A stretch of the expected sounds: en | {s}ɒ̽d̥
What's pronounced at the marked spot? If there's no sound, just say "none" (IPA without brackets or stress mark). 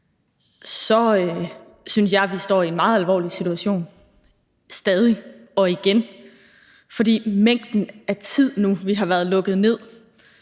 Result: f